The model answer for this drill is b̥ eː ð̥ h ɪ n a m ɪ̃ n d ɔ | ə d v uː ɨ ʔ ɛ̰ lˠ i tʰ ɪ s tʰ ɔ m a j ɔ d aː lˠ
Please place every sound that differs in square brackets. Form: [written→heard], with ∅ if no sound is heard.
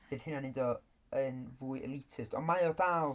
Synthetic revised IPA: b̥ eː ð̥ h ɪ n a [m→n] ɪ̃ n d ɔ | ə [d→n] v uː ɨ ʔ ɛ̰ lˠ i tʰ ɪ s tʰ ɔ m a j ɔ d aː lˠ